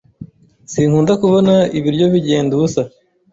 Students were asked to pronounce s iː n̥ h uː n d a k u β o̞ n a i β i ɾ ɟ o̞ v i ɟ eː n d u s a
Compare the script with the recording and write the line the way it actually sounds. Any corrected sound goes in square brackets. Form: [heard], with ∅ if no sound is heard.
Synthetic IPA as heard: s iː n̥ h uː n d a k u β o̞ n a i β i ɾ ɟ o̞ [β] i ɟ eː n d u s a